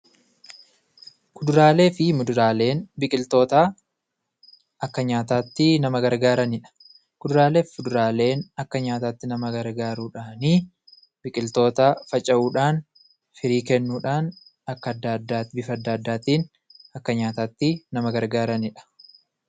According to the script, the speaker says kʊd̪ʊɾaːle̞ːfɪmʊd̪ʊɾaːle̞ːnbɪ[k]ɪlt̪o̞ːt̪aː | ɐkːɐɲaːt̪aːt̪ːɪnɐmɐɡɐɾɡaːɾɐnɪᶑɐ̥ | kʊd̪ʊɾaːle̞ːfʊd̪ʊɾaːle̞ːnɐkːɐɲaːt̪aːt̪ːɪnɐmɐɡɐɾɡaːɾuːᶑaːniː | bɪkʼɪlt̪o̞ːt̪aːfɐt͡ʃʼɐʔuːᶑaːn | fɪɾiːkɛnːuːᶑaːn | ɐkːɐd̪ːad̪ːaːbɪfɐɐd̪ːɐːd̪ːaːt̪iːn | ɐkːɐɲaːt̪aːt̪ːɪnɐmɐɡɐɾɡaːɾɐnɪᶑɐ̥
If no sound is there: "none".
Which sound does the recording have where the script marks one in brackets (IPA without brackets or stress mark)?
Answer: kʼ